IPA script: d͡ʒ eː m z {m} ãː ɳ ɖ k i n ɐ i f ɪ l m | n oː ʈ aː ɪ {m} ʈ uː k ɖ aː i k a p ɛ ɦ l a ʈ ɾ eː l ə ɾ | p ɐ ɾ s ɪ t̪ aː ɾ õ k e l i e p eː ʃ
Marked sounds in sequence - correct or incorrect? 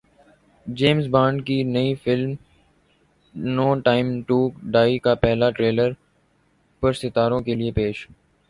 incorrect: b, correct

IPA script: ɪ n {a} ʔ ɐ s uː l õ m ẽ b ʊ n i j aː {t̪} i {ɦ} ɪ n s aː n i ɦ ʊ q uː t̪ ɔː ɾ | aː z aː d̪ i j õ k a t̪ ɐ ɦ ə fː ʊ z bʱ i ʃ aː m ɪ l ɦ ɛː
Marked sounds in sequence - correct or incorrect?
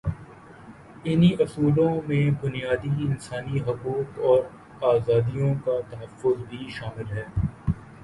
incorrect: i, incorrect: d̪, incorrect: none

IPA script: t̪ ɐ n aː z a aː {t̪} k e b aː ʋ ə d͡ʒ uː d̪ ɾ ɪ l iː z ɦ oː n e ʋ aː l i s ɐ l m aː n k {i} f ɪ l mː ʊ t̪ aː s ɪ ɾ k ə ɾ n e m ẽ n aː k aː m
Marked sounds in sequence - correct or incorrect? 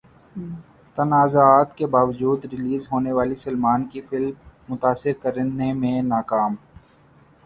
correct, correct

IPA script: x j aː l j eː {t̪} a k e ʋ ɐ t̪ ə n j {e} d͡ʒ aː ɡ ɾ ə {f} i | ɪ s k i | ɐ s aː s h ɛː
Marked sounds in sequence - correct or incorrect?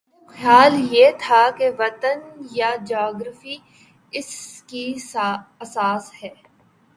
incorrect: t̪ʰ, incorrect: a, correct

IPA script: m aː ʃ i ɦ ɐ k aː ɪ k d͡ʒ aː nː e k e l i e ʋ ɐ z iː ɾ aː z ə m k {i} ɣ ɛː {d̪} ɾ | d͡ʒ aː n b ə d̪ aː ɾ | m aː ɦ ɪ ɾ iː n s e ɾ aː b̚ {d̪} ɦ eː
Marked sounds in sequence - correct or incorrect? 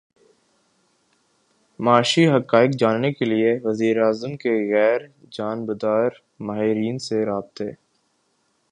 incorrect: e, incorrect: none, incorrect: t̪

